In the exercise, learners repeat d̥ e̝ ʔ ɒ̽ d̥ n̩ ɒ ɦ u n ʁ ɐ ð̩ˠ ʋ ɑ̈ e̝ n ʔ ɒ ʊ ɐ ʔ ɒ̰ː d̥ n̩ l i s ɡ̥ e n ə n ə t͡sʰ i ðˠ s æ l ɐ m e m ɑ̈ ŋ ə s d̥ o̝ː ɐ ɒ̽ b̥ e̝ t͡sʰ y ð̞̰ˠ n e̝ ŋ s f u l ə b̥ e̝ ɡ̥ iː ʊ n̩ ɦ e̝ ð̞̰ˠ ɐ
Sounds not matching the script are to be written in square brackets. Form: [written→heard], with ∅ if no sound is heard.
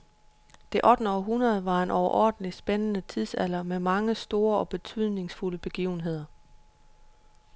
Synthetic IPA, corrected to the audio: d̥ e̝ ʔ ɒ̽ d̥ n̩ ɒ ɦ u n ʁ ɐ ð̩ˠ ʋ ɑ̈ e̝ n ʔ ɒ ʊ ɐ ʔ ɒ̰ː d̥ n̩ l i s [ɡ̥→b̥] e n ə n ə t͡sʰ i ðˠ s æ l ɐ m e m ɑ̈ ŋ ə s d̥ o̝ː ɐ ɒ̽ b̥ e̝ t͡sʰ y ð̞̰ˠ n e̝ ŋ s f u l ə b̥ e̝ ɡ̥ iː ʊ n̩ ɦ e̝ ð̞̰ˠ ɐ